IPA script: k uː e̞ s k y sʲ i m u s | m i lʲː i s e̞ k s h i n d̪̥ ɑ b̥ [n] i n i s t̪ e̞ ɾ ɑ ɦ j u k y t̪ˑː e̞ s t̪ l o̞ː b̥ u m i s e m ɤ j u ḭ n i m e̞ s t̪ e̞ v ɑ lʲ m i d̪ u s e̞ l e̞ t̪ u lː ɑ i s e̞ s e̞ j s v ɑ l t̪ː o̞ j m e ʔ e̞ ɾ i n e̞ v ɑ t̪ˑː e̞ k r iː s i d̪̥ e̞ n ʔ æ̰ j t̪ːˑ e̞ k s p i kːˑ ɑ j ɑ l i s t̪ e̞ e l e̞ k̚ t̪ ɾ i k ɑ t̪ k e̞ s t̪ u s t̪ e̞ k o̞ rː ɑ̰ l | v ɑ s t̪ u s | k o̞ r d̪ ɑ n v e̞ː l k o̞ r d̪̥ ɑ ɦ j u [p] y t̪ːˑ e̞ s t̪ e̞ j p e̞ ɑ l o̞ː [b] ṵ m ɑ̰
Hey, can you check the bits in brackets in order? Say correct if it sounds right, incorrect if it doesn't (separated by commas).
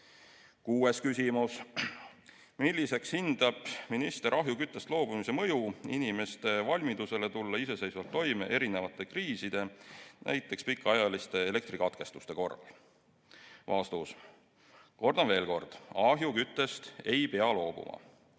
incorrect, incorrect, correct